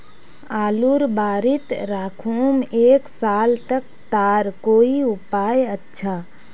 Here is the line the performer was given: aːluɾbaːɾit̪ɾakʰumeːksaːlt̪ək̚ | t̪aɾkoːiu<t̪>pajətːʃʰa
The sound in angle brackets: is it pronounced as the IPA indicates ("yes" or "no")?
no